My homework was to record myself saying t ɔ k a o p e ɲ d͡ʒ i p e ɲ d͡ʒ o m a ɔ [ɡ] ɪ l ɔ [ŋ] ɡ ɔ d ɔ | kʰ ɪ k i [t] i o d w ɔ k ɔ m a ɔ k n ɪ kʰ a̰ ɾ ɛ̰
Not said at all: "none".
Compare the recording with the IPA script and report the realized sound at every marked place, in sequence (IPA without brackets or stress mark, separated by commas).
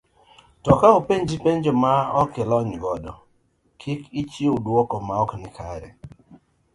k, ɲ, t͡ʃ